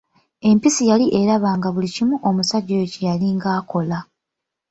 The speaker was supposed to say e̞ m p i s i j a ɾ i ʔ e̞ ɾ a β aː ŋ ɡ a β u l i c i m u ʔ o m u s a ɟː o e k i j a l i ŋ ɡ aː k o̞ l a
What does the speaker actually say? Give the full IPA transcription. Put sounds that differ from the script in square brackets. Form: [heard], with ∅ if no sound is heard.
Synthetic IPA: e̞ m p i s i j a [l] i ʔ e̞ ɾ a β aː ŋ ɡ a β u l i c i m u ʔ o m u s a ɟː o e [c] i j a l i ŋ ɡ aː k o̞ l a

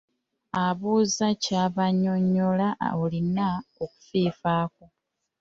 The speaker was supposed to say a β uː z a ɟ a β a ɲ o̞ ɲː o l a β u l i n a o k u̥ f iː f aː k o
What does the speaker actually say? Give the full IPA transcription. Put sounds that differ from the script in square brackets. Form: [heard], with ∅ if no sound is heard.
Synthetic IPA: a β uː z a [c] a β a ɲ o̞ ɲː o l a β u l i n a o k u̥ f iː f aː k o

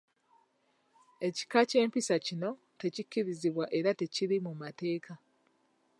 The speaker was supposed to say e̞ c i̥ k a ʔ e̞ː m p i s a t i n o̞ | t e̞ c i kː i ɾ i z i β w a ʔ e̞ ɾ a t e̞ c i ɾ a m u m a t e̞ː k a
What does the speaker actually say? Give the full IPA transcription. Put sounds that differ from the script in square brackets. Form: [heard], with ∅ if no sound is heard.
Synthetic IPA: e̞ c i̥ k a [c] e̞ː m p i s a [c] i n o̞ | t e̞ c i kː i ɾ i z i β w a ʔ e̞ ɾ a t e̞ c i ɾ [i] m u m a t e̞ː k a

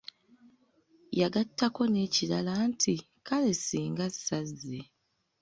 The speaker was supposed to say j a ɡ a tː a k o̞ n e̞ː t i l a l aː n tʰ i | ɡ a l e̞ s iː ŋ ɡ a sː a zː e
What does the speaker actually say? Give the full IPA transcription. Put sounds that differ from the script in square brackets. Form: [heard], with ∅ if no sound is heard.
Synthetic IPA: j a ɡ a tː a k o̞ n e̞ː [c] i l a l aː n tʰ i | [k] a l e̞ s iː ŋ ɡ a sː a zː e

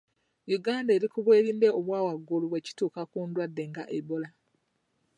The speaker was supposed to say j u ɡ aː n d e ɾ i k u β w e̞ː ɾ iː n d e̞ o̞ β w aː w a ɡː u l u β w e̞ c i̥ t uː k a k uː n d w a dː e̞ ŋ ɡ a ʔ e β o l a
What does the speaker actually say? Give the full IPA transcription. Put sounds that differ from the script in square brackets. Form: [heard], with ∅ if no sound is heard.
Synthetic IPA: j u ɡ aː n d e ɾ i k u β w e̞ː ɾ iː n d e̞ o̞ β w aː w a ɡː u l u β w e̞ c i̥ t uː k a k uː n d w a dː e̞ ŋ ɡ a ʔ e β o l a

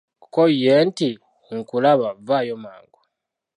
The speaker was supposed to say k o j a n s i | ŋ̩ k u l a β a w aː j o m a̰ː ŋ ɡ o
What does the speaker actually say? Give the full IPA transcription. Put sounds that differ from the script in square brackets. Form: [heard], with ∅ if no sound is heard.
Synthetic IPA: k o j [e] n [t] i | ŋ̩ k u l a β a [v] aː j o m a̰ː ŋ ɡ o

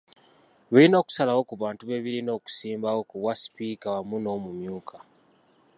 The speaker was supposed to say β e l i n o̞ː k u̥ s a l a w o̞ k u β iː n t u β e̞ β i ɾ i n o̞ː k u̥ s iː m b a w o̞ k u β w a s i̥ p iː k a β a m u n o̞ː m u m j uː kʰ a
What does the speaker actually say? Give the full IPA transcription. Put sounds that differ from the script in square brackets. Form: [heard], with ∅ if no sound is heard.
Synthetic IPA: β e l i n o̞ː k u̥ s a l a w o̞ k u β [aː] n t u β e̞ β i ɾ i n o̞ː k u̥ s iː m b a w o̞ k u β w a s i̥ p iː k a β a m u n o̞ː m u m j uː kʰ a

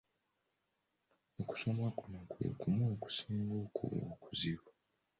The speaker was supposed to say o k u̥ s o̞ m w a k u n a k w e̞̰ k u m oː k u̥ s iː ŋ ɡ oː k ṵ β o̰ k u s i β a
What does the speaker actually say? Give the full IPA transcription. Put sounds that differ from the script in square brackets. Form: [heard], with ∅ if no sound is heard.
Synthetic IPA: o k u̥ s o̞ m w a k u n a k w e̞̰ k u m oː k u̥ s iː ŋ ɡ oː k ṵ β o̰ k u [z] i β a

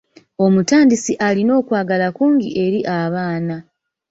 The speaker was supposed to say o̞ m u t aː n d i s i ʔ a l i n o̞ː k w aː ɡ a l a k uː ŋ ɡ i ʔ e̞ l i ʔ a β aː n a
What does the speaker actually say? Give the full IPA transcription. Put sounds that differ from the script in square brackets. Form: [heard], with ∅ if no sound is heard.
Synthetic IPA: o̞ m u t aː n d i s i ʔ a l i n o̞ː k w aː ɡ a l a k uː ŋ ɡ i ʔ e̞ [ɾ] i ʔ a β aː n a

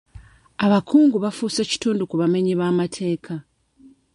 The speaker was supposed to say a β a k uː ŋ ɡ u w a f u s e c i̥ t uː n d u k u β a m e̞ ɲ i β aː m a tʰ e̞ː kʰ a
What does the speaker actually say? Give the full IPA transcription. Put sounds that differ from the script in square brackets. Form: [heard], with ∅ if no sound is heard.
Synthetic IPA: a β a k uː ŋ ɡ u [β] a f u s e c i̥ t uː n d u k u β a m e̞ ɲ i β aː m a tʰ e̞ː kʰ a

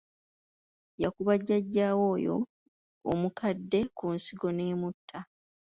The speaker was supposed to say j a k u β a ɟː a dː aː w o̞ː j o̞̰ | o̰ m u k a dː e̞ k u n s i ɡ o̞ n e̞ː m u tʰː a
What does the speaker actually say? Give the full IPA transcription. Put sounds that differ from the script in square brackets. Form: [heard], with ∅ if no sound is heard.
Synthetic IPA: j a k u β a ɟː a [ɟː] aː w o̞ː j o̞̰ | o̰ m u k a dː e̞ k u n s i ɡ o̞ n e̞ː m u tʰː a

